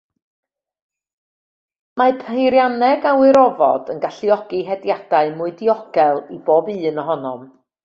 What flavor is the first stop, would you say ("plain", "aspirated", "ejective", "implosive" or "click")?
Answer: aspirated